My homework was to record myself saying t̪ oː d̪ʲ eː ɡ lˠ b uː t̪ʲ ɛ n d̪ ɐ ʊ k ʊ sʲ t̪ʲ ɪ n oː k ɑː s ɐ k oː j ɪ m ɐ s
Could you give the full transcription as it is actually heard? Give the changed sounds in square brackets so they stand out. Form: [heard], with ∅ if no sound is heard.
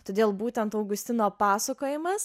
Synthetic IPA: t̪ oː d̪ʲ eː [∅] lˠ b uː t̪ʲ ɛ n [t̪] ɐ ʊ [ɡ] ʊ sʲ t̪ʲ ɪ n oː [p] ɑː s ɐ k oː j ɪ m ɐ s